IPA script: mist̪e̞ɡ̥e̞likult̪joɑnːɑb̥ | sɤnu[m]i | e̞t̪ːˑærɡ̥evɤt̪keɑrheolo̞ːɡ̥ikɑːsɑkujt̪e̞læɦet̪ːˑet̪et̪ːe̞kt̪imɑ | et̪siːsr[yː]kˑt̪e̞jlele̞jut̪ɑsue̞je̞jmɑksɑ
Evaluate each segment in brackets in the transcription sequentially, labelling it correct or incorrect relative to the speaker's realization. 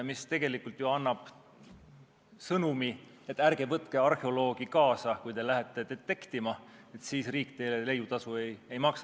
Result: correct, incorrect: iː

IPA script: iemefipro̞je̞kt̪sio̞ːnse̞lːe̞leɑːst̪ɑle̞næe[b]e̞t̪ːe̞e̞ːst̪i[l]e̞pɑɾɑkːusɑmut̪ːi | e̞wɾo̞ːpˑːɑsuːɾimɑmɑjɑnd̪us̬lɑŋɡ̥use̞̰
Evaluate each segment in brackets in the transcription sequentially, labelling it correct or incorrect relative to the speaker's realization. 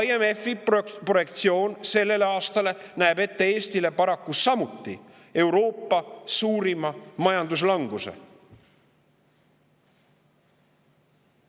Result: correct, correct

